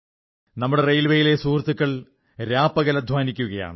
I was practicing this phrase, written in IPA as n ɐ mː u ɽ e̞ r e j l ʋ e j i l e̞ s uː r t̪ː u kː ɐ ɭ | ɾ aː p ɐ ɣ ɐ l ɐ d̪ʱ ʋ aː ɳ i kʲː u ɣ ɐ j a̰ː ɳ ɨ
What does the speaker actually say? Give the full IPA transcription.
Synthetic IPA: n ɐ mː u ɽ e̞ r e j l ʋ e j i l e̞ s uː r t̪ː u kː ɐ ɭ | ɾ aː p ɐ ɣ ɐ l ɐ d̪ʱ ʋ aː n i kʲː u ɣ ɐ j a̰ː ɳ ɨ